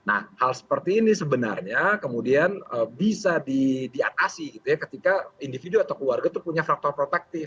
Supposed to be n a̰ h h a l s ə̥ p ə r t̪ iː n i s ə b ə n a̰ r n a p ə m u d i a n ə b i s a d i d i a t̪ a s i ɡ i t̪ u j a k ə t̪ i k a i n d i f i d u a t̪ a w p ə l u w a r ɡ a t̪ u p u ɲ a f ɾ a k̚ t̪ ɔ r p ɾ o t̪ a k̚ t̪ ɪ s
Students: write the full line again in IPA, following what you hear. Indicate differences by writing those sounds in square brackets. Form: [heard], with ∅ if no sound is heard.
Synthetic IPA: n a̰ h h a l s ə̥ p ə r t̪ iː n i s ə b ə n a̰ r [ɲ] a [k] ə m u d i a n ə b i s a d i d i a t̪ a s i ɡ i t̪ u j a k ə t̪ i k a i n d i f i d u a t̪ a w [k] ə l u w a r ɡ a t̪ u p u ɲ a f ɾ a k̚ t̪ ɔ r p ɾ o t̪ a k̚ t̪ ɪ [f]